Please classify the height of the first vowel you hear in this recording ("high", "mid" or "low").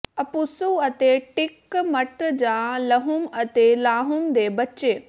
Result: low